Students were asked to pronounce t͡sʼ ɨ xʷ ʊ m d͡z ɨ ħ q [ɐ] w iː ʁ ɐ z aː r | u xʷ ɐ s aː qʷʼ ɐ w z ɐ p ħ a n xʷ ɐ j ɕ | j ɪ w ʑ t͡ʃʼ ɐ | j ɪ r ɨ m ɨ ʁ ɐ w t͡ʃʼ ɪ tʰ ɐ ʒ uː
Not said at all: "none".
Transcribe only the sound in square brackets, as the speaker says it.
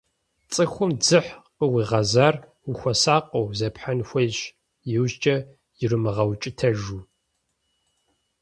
ə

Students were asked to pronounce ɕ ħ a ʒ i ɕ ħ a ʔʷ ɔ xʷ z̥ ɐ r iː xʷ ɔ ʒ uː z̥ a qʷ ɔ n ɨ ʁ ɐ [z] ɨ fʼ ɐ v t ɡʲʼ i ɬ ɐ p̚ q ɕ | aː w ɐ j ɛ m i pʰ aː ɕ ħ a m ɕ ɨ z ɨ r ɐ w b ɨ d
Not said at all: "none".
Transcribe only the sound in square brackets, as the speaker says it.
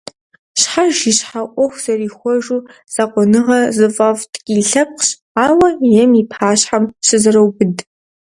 z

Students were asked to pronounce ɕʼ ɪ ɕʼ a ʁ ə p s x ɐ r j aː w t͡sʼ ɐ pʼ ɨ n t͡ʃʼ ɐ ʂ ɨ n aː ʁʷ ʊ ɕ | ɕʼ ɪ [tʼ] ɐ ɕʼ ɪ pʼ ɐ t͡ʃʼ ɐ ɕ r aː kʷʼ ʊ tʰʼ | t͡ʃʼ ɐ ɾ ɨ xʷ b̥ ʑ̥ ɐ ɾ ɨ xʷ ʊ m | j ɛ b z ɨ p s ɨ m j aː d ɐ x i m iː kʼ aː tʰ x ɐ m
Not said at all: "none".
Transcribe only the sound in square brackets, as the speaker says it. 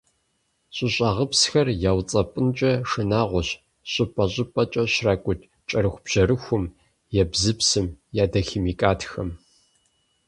pʼ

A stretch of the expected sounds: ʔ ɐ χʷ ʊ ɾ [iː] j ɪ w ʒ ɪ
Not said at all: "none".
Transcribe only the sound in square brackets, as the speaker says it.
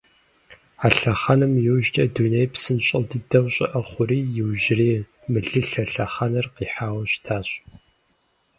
iː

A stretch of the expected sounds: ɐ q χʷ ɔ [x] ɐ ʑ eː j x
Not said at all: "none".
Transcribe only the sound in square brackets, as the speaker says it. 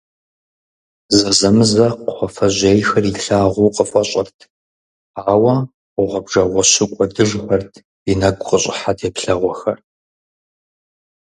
f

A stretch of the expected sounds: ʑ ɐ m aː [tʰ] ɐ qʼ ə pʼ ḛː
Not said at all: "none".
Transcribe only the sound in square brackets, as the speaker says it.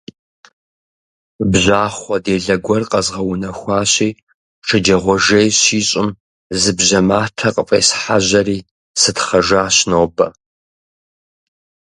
tʰ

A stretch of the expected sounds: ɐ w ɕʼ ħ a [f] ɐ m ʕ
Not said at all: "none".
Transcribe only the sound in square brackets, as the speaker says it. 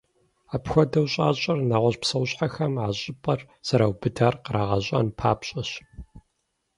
x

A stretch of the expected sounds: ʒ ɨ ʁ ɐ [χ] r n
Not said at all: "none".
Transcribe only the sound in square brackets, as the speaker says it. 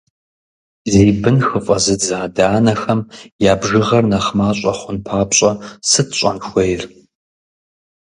none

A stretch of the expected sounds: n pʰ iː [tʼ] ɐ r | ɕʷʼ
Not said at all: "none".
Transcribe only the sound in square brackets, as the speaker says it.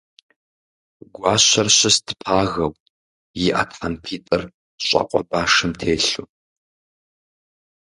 tʼ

